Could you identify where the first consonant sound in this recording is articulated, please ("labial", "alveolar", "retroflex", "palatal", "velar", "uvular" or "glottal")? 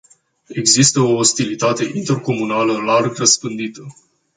velar